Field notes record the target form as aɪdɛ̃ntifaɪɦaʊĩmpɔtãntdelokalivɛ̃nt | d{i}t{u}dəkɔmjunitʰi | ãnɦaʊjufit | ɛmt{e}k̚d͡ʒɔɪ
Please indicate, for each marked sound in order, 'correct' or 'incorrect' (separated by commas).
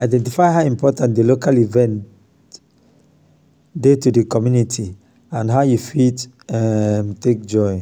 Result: incorrect, correct, correct